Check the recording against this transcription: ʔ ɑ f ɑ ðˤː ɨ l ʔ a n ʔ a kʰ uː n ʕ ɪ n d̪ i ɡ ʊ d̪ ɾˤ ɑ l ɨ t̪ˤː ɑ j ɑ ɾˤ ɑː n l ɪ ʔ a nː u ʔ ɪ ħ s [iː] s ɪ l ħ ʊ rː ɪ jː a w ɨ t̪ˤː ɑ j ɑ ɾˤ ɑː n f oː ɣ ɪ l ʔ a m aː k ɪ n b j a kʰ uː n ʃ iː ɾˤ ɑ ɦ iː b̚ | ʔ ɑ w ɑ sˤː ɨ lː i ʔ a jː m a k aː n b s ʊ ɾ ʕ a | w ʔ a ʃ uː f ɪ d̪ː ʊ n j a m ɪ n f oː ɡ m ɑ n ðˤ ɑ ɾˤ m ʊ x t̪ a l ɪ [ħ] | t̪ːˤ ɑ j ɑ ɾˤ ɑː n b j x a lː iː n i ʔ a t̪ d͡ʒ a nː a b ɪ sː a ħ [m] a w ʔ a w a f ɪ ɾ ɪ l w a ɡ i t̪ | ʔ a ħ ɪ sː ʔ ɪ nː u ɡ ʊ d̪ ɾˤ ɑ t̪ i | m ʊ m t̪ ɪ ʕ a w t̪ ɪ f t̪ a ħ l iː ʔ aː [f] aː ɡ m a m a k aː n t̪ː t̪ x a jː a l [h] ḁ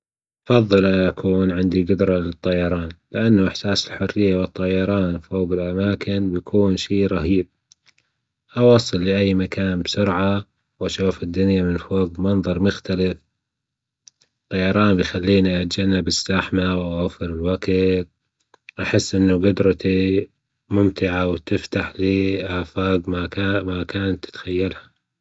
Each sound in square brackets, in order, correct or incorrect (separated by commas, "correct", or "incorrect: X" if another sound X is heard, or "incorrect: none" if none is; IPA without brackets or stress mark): incorrect: aː, incorrect: f, correct, correct, correct